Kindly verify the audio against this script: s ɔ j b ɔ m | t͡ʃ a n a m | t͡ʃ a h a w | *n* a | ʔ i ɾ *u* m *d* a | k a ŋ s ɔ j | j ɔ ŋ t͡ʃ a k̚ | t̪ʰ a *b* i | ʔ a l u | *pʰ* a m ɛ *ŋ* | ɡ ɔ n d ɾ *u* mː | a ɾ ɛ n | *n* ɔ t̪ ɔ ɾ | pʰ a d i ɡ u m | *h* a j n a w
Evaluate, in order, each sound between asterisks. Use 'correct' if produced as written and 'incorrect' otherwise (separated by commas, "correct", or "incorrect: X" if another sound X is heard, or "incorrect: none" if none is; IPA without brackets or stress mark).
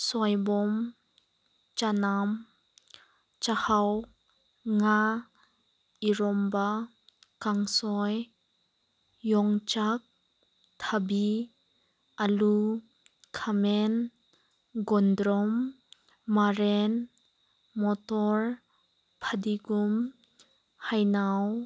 incorrect: ŋ, incorrect: ɔ, incorrect: b, correct, incorrect: kʰ, incorrect: n, incorrect: ɔ, incorrect: m, correct